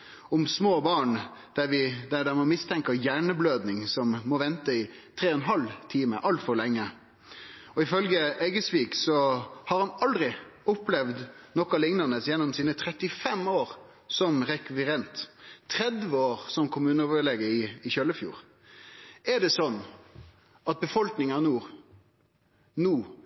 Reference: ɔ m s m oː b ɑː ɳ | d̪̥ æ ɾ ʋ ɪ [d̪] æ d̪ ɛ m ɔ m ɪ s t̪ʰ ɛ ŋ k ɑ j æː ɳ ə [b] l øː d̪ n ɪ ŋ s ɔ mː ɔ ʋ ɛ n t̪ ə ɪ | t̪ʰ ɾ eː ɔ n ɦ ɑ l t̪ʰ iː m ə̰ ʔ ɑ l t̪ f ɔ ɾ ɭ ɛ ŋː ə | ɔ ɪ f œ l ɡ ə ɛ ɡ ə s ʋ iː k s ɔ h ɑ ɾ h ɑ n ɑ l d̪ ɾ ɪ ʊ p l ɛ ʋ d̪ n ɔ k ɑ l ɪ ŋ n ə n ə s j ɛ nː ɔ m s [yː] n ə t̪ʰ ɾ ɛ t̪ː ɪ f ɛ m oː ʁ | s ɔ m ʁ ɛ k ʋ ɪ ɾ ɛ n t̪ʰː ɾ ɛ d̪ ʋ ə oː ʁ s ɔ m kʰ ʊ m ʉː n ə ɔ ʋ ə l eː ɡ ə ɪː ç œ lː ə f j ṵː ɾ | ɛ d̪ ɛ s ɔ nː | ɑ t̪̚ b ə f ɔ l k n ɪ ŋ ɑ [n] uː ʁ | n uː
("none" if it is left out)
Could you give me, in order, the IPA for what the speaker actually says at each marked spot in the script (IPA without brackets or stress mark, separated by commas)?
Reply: d̪, b, iː, n